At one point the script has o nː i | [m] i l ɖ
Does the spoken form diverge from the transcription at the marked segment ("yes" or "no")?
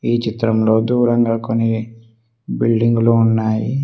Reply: yes